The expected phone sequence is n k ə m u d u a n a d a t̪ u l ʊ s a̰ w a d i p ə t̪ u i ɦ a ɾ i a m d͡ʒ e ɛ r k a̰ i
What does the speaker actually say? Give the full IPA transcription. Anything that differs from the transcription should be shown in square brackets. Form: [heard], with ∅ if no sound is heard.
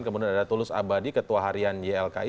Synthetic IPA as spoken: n k ə m u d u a n a d a t̪ u l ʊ s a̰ [b] a d i [k] ə t̪ u [a] ɦ a ɾ i a [n] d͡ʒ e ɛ [l] k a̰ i